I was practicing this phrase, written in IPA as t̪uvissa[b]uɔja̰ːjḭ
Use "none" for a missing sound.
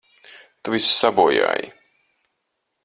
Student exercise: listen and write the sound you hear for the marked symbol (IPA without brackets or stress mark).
b